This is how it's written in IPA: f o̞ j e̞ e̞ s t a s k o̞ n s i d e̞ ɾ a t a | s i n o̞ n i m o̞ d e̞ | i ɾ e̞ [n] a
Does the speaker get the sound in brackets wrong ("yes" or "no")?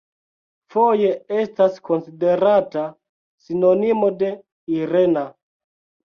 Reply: no